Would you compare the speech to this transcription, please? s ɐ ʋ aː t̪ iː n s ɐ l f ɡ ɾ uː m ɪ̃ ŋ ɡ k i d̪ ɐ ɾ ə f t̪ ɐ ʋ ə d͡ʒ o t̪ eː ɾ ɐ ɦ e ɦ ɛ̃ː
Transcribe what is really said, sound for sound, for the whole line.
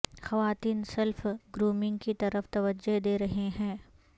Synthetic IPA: x ɐ ʋ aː t̪ iː n s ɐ l f ɡ ɾ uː m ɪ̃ ŋ ɡ k i t̪ ɐ ɾ ə f t̪ ɐ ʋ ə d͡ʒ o d̪ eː ɾ ɐ ɦ e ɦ ɛ̃ː